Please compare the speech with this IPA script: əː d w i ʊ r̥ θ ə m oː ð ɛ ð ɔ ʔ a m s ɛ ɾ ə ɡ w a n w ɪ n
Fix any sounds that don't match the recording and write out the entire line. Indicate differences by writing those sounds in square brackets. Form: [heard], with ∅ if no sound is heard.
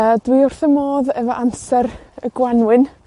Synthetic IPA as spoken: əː d w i ʊ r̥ θ ə m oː ð ɛ [v] ɔ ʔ a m s ɛ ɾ ə ɡ w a n w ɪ n

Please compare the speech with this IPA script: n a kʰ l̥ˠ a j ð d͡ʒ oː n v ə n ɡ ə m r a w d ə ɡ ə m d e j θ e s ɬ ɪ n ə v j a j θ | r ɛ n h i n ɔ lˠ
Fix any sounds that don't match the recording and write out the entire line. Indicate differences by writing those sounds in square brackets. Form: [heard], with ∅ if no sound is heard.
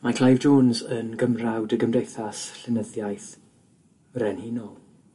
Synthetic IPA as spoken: [m] a kʰ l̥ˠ a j [v] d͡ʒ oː n [z] ə n ɡ ə m r a w d ə ɡ ə m d e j θ [a] s ɬ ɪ n ə [ð] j a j θ | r ɛ n h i n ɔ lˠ

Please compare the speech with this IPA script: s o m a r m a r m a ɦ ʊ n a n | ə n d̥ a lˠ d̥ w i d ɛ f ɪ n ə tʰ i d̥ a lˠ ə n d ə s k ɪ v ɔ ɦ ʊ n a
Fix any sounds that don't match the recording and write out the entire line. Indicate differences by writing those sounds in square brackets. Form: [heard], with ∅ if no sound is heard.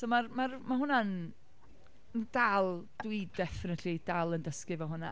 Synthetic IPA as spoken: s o m a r m a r m a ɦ ʊ n a n | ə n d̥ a lˠ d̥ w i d ɛ f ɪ n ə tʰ i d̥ a lˠ ə n d ə s k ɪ v ɔ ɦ ʊ n a

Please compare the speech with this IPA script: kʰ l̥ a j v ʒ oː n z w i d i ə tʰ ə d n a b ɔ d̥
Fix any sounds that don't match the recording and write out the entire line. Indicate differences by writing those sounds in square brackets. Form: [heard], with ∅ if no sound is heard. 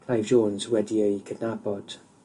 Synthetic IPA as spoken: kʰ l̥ a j v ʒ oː n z w [ɛ] d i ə [kʰ] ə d n a b ɔ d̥

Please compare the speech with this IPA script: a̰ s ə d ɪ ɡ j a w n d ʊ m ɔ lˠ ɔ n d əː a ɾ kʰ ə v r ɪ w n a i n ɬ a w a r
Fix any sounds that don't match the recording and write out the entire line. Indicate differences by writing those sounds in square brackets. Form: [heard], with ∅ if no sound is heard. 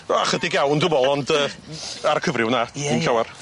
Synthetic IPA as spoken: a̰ [χ] ə d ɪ ɡ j a w n d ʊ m ɔ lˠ ɔ n d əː a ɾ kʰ ə v r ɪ w n a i n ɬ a w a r

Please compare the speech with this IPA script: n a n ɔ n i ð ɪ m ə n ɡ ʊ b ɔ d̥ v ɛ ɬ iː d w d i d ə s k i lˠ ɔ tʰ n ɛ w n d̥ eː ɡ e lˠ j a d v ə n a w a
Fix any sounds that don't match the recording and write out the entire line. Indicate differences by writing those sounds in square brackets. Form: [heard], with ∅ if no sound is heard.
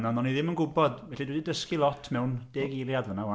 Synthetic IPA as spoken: n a n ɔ n i ð ɪ m ə n ɡ ʊ b ɔ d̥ v ɛ ɬ [i] d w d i d ə s k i lˠ ɔ tʰ [m] ɛ w n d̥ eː ɡ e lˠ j a d v ə n a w a

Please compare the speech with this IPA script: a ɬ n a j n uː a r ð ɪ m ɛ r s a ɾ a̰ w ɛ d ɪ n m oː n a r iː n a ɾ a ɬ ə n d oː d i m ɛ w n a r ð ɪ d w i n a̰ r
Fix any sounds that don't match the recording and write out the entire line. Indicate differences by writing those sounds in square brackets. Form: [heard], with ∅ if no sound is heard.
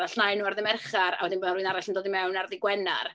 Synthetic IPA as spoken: a ɬ n a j n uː a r ð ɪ m ɛ r [χ] a ɾ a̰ w ɛ d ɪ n [b] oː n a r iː n a ɾ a ɬ ə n d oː d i m ɛ w n a r ð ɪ [ɡ] w [ɛ] n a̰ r

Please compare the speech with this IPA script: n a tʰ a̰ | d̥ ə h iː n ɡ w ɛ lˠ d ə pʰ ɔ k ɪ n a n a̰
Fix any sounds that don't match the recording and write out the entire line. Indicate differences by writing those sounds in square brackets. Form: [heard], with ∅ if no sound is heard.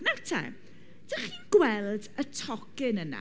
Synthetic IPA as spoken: n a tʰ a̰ | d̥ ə [χ] iː n ɡ w ɛ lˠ d ə [tʰ] ɔ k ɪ n [ə] n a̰

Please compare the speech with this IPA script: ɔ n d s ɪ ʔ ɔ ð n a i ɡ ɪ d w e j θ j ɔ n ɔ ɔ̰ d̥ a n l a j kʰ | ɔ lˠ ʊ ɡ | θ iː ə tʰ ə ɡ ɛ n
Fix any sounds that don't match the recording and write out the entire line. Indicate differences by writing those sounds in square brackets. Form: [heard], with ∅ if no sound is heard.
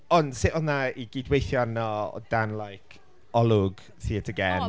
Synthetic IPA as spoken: ɔ n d s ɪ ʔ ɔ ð n a i ɡ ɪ d w e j θ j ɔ n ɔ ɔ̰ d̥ a n l a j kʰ | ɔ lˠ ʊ ɡ | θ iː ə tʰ ə ɡ ɛ n

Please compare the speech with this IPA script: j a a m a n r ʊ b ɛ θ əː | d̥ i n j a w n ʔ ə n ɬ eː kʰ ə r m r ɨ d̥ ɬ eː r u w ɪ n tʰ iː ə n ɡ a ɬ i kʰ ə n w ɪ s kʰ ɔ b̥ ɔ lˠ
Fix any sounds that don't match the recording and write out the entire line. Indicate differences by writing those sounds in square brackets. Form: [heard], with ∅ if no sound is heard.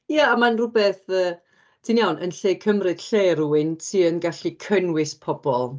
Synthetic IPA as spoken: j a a m a n r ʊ b ɛ θ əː | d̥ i n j a w n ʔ ə n ɬ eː kʰ ə [∅] m r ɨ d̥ ɬ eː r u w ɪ n tʰ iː ə n ɡ a ɬ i kʰ ə n w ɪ s [pʰ] ɔ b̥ ɔ lˠ

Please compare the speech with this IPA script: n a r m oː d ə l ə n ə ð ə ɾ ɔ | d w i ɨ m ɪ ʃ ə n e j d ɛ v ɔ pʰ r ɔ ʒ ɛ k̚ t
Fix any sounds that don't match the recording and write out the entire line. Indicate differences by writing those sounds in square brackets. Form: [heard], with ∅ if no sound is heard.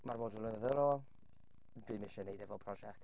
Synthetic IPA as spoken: [m] a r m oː d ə l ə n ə ð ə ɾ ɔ | d w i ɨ m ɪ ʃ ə n e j d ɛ v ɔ pʰ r ɔ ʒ ɛ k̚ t

